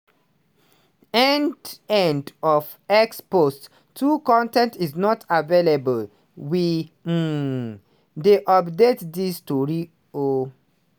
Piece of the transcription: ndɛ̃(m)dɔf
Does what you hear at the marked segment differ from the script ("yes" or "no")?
yes